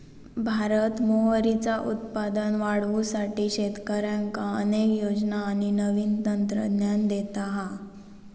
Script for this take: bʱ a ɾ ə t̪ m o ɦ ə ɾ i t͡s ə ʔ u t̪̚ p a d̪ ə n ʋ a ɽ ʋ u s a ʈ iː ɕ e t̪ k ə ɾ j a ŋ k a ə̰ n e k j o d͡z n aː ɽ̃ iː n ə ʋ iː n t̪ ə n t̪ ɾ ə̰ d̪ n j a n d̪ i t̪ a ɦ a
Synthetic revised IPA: bʱ a ɾ ə t̪ m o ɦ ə ɾ i t͡s a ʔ u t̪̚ p a d̪ ə n ʋ a ɽ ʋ u s a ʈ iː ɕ e t̪ k ə ɾ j a ŋ k a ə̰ n e k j o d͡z n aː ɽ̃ i n ə ʋ iː n t̪ ə n t̪ ɾ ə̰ d̪ n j a n d̪ e t̪ a ɦ a